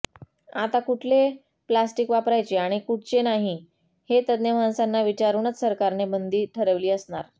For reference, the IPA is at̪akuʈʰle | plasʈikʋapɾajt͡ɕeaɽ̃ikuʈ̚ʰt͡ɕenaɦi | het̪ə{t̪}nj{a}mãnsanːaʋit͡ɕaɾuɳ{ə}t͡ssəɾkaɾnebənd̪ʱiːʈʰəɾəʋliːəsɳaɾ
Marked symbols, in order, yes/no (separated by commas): no, no, yes